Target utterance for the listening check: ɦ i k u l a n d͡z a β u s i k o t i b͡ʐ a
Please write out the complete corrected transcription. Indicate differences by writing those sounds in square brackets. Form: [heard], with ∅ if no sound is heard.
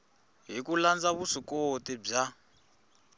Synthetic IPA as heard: ɦ i k u l a n d͡z a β u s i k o t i b͡ʐ a

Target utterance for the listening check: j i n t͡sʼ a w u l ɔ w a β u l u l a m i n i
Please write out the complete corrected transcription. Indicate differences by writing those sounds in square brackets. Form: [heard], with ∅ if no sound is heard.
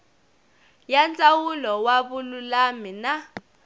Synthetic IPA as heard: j [a] n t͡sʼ a w u l ɔ w a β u l u l a m i n [a]

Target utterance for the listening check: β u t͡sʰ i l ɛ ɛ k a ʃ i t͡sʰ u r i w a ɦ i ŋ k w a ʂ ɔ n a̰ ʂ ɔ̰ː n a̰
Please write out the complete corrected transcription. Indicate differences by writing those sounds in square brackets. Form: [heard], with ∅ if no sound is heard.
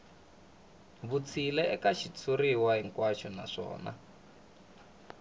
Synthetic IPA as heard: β u t͡sʰ i l ɛ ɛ k a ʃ i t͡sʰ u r i w a ɦ i ŋ k w a [ʃ] ɔ n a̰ ʂ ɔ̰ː n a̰

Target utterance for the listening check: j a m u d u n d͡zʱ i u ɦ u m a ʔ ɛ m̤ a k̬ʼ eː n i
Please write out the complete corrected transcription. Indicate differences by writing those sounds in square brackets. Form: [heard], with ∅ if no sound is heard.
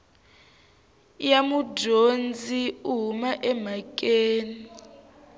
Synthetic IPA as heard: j a m u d [o] n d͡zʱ i u ɦ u m a ʔ ɛ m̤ a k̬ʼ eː n i

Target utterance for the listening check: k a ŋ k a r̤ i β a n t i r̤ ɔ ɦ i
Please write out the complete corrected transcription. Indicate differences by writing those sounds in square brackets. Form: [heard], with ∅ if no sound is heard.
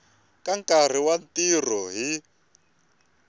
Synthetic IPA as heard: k a ŋ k a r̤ i [w] a n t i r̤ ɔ ɦ i

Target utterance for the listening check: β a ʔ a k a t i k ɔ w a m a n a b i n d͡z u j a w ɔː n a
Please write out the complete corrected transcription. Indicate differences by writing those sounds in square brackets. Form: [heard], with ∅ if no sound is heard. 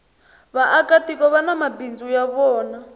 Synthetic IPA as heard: β a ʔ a k a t i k ɔ [β] a [n] a [m] a b i n d͡z u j a [β] ɔː n a

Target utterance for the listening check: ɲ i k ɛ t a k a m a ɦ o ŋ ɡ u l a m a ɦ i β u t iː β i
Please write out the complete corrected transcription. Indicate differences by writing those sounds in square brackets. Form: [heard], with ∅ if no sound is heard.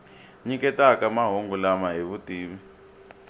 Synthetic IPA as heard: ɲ i k ɛ t a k a m a ɦ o ŋ ɡ u l a m a ɦ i β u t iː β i

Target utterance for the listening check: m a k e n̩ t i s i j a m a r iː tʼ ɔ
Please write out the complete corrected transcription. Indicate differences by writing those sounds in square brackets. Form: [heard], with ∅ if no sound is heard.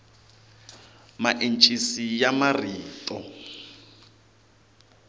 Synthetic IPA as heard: m a [ʔ] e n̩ [t͡ʃʼ] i s i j a m a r iː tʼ ɔ

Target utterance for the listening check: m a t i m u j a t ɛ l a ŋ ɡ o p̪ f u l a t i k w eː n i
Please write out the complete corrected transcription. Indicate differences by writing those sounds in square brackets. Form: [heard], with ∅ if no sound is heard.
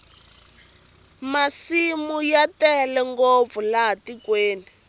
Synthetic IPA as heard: m a [s] i m u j a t ɛ l [ɛ] ŋ ɡ o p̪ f u l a t i k w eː n i

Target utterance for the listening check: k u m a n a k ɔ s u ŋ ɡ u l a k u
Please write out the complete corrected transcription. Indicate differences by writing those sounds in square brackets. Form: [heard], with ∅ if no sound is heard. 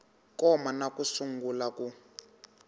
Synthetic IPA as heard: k [ɔ] m a n a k [u] s u ŋ ɡ u l a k u

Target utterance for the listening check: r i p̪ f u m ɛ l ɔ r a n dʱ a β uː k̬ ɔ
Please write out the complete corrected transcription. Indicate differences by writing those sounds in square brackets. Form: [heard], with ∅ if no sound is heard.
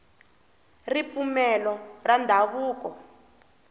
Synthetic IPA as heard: r i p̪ f u m ɛ l ɔ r a n dʱ a β uː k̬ ɔ

